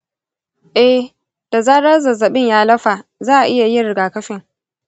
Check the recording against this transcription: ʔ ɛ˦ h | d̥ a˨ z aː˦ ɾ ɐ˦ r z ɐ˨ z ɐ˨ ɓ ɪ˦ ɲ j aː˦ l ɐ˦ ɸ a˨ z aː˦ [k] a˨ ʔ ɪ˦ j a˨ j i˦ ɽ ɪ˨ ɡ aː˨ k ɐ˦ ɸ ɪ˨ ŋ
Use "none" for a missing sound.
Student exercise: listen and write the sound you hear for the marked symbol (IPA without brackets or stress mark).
ʔ